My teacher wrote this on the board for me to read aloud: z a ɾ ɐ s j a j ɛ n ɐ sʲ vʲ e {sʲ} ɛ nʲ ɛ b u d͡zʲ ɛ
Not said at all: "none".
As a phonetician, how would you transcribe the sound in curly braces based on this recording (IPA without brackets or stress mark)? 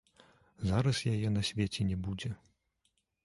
t͡sʲ